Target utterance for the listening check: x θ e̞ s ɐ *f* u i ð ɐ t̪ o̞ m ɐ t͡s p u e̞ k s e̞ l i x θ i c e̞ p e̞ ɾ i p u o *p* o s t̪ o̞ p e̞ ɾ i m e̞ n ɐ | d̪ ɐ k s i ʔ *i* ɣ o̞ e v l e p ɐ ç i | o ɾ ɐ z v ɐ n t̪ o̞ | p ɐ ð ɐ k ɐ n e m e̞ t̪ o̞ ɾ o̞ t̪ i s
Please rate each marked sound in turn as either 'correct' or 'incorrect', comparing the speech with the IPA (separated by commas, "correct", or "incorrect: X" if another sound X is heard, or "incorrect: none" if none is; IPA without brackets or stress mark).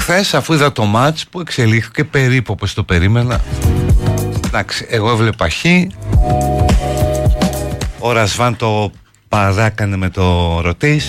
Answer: correct, correct, incorrect: e